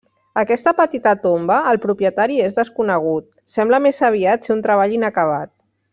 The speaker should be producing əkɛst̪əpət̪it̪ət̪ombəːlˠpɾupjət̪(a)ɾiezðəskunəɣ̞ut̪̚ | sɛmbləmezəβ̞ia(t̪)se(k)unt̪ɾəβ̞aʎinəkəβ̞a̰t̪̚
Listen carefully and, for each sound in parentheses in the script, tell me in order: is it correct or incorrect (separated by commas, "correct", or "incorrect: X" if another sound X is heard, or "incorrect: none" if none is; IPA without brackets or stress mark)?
correct, correct, incorrect: none